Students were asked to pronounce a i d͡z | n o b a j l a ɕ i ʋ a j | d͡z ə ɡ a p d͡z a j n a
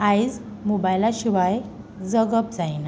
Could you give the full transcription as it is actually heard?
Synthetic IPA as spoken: a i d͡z | m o b a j l a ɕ i ʋ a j | d͡z ə ɡ ə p d͡z a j n a